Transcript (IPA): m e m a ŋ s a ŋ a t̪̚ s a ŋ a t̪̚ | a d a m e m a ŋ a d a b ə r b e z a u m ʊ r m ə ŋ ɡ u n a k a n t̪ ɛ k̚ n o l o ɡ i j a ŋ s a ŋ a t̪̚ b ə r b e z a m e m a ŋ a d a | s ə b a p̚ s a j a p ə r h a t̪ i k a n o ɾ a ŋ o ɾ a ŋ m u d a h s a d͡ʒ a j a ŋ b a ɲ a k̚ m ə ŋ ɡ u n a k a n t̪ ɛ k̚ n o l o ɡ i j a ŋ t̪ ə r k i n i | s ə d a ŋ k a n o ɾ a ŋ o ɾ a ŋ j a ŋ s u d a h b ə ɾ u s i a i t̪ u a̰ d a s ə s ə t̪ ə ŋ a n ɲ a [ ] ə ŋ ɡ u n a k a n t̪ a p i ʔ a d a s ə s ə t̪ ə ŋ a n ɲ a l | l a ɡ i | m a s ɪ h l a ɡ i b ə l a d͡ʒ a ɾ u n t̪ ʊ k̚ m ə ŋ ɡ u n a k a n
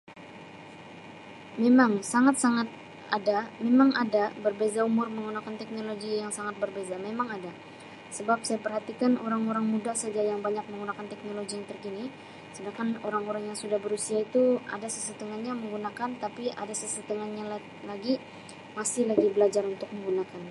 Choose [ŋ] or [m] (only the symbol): m